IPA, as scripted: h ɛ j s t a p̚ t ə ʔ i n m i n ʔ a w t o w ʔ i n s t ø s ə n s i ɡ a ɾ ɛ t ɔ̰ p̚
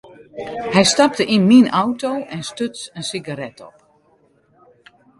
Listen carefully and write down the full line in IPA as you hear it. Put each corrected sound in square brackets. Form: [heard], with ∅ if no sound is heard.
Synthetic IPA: h ɛ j s t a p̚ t ə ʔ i n m i n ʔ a w t o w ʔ [ɛ] n s t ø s ə n s i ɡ a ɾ ɛ t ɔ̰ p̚